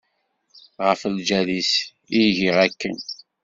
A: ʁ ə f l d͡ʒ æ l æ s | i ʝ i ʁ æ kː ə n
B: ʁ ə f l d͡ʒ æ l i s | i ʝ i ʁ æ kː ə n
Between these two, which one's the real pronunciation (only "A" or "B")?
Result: B